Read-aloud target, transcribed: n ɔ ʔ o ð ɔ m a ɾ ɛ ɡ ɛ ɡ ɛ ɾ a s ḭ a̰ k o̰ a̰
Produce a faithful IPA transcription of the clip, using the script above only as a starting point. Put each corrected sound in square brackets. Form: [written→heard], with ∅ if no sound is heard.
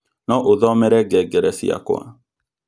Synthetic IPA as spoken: n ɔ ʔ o ð ɔ m [a→ɛ] ɾ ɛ ɡ ɛ ɡ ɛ ɾ [a→ɛ] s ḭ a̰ k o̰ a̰

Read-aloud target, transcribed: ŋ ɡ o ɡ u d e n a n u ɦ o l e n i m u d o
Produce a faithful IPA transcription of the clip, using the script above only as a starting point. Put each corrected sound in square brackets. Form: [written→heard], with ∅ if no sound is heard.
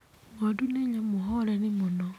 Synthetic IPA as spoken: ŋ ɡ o [ɡ→d] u [d→n] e [n→ɲ] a [n→m] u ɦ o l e n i m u [d→n] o

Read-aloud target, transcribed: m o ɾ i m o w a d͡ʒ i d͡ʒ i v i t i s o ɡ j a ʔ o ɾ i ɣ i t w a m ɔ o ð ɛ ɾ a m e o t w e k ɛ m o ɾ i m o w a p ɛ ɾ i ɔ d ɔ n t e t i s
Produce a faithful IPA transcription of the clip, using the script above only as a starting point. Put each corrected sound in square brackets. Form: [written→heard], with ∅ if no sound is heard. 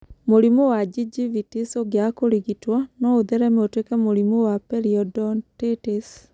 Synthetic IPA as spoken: m o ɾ i m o w a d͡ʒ i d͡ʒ i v i t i s o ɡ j a [ʔ→k] o ɾ i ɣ i t w a [m→n] ɔ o ð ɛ ɾ [a→ɛ] m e o t w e k ɛ m o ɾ i m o w a p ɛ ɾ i ɔ d ɔ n t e t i s

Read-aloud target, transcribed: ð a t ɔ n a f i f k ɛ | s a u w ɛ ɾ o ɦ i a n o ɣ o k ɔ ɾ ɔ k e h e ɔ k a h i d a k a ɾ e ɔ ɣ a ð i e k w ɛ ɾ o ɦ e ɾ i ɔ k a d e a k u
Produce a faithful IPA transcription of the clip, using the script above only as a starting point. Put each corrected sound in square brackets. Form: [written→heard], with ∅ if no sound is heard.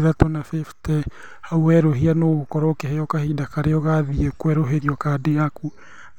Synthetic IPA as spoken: ð a t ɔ n a f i f [k→t] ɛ | [s→h] a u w ɛ ɾ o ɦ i a n o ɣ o k ɔ ɾ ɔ k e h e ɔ k a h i d a k a ɾ e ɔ ɣ a ð i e k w ɛ ɾ o ɦ e ɾ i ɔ k a d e a k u

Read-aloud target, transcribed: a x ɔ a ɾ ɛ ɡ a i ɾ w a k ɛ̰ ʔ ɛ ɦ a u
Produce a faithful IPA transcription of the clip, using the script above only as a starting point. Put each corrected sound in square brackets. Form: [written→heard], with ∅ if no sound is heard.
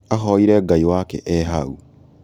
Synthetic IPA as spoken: a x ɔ [a→i] ɾ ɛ ɡ a i [ɾ→∅] w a k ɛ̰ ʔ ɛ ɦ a u

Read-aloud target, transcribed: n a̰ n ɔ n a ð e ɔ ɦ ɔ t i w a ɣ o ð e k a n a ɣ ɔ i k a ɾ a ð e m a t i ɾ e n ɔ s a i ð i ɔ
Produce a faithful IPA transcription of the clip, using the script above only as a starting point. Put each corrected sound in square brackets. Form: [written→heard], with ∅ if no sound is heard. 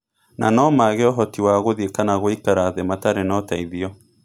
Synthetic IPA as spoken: n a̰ n ɔ [n→m] a [ð→ɣ] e ɔ ɦ ɔ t i w a ɣ o ð e k a n a ɣ [ɔ→o] i k a ɾ a ð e m a t [i→a] ɾ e n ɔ [s→t] a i ð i ɔ

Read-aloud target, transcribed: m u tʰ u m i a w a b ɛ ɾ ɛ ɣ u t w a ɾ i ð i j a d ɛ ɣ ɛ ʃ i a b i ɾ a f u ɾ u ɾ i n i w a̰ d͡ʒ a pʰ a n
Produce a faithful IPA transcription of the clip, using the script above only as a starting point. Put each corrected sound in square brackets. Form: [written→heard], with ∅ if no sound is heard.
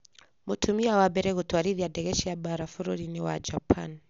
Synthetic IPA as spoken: m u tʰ u m i a w a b ɛ ɾ ɛ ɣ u t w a ɾ i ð i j a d ɛ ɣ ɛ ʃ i a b [i→a] ɾ a f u ɾ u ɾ i n i w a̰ d͡ʒ a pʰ a n

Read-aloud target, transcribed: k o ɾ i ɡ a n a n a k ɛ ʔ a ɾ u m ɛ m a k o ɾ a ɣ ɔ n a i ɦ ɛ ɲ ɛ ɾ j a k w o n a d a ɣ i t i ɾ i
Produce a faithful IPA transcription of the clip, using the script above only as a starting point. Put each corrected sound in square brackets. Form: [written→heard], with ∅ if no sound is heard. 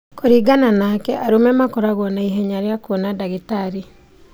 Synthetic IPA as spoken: k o ɾ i ɡ a n a n a k ɛ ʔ a ɾ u m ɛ m a k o ɾ a ɣ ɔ n a i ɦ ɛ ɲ [ɛ→a] ɾ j a k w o n a d a ɣ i t [i→a] ɾ i

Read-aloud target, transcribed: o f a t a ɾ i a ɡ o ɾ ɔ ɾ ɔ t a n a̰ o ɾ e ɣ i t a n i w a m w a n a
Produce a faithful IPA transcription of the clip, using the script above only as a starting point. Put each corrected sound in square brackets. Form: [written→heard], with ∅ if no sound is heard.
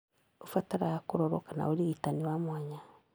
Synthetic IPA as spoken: o f a t a ɾ [i→a] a [ɡ→k] o ɾ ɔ ɾ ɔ [t→k] a n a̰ o ɾ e ɣ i t a n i w a m w a [n→ɲ] a

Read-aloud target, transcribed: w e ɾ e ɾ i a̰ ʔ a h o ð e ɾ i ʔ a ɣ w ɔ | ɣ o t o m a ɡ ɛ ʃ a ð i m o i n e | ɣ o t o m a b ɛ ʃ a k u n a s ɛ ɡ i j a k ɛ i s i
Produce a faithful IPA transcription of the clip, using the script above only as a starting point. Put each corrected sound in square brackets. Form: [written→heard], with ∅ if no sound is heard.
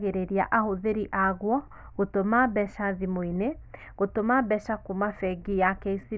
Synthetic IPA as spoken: [w→ɣ] e ɾ e ɾ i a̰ ʔ a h o ð e ɾ i ʔ a ɣ w ɔ | ɣ o t o m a [ɡ→b] ɛ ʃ a ð i m o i n e | ɣ o t o m a b ɛ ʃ a k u [n→m] a [s→f] ɛ ɡ i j a k ɛ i s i

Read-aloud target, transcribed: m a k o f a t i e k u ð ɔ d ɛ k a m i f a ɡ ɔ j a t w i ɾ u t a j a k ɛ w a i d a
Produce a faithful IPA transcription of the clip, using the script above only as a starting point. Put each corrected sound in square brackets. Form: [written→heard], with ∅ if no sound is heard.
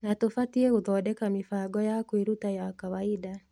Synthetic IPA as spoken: [m→n] a [k→t] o f a t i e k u ð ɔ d ɛ k a m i f a ɡ ɔ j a [t→k] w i ɾ u t a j a k [ɛ→a] w a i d a

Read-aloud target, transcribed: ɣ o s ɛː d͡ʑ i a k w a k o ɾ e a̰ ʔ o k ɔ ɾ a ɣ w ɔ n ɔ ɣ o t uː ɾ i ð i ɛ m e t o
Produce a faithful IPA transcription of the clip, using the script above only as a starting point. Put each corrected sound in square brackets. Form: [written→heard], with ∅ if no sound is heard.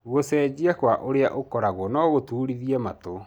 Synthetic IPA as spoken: ɣ o s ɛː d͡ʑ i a k w a [k→ʔ] o ɾ e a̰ ʔ o k ɔ ɾ a ɣ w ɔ n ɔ ɣ o t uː ɾ i ð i ɛ m [e→a] t o

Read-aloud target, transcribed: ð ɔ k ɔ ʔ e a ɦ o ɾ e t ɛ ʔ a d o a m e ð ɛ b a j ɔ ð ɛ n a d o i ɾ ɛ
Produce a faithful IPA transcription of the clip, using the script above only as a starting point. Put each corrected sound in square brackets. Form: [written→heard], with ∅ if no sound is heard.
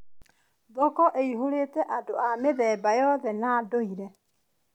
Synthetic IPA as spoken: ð ɔ k ɔ ʔ e [a→i] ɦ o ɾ e t ɛ ʔ a d o a m e ð ɛ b a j ɔ ð ɛ n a d o i ɾ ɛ

